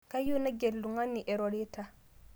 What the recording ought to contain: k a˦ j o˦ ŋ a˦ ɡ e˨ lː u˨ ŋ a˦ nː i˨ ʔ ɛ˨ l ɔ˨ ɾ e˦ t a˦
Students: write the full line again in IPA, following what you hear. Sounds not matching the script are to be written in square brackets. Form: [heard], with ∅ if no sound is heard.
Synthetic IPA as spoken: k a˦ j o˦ [n] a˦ ɡ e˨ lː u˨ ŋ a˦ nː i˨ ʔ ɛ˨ [ɾ] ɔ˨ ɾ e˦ t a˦